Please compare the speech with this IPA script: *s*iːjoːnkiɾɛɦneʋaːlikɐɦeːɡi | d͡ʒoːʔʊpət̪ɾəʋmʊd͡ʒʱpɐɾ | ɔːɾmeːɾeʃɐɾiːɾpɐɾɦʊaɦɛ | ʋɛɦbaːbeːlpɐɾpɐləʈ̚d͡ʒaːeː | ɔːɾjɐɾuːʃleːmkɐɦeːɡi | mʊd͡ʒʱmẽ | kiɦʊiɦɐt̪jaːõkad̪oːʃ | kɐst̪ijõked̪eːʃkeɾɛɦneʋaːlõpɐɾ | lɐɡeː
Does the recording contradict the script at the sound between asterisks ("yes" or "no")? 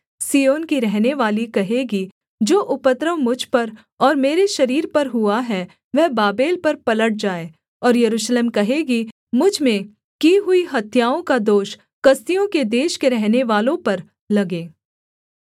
no